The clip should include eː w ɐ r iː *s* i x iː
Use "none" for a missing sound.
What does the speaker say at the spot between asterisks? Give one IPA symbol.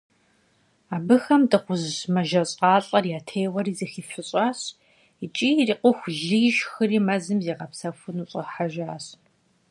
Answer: z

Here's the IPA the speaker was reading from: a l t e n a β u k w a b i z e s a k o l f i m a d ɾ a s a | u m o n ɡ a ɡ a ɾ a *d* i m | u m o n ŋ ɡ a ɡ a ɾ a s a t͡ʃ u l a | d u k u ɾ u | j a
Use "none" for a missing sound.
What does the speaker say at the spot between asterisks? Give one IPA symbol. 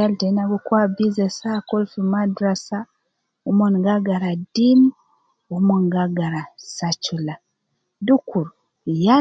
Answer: d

